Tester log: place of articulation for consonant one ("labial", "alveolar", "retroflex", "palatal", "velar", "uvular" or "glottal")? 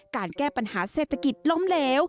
velar